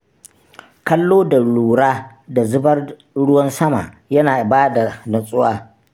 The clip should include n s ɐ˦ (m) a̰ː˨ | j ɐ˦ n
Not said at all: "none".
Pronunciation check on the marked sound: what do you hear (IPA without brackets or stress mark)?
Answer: m